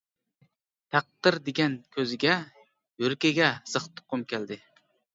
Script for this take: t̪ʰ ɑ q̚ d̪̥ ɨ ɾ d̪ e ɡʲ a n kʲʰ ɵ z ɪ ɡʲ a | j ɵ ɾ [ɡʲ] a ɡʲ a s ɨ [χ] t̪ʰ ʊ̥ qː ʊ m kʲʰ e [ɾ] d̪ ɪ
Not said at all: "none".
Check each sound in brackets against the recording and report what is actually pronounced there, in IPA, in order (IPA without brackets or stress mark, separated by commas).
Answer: kʲ, χ, l